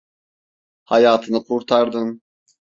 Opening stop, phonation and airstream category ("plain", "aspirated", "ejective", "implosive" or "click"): aspirated